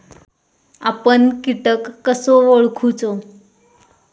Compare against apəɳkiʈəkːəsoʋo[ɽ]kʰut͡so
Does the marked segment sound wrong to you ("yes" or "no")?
yes